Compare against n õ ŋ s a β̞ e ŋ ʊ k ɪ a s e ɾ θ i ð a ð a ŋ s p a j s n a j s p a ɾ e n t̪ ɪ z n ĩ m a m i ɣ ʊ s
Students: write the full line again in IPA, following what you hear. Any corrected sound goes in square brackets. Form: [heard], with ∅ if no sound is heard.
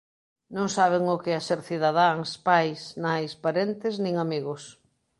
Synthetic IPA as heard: n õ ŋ s a β̞ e ŋ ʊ k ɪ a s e ɾ θ i ð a ð a ŋ s p a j s n a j s p a ɾ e n t̪ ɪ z n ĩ [ŋ] a m i ɣ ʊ s